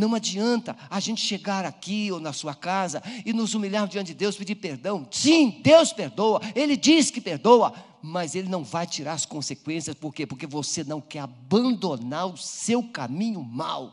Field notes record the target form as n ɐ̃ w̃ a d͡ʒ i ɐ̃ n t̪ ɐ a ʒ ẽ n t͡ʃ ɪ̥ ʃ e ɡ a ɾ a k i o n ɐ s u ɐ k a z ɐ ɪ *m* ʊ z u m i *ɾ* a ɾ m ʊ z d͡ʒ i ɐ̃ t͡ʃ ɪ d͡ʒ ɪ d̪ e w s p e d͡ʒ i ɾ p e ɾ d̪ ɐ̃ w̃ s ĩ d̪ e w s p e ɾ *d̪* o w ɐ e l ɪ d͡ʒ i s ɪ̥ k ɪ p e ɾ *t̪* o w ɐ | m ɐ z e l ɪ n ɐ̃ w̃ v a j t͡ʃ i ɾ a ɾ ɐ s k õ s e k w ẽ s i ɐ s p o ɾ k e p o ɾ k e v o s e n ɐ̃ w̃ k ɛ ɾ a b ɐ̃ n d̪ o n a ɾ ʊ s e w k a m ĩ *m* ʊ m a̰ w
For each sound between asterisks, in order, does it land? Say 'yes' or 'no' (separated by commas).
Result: no, no, yes, no, no